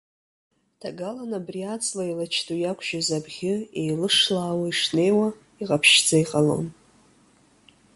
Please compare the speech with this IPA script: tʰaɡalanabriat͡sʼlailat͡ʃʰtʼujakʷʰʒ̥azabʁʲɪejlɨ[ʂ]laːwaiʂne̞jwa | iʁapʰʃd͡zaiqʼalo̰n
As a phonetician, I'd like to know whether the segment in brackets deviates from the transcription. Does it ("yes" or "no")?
no